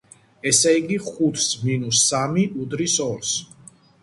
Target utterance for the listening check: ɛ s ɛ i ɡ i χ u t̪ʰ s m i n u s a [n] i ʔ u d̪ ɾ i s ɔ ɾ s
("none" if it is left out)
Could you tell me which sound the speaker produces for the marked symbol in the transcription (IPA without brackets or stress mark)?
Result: m